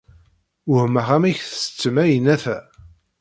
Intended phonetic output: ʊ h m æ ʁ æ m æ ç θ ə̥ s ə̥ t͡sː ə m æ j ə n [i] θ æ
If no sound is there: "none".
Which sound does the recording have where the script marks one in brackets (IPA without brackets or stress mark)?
æ